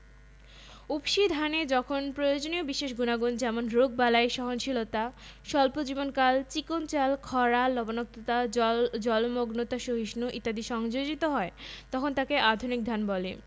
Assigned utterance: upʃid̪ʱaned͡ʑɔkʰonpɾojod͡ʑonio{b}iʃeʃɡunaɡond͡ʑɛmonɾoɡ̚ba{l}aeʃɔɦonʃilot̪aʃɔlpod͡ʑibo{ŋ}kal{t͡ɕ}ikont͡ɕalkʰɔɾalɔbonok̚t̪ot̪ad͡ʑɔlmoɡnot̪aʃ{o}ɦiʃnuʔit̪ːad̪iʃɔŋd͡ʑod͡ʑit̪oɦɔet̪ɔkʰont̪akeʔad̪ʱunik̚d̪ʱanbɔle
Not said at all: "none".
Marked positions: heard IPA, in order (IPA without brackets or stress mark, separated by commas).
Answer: b, l, n, t͡ɕ, o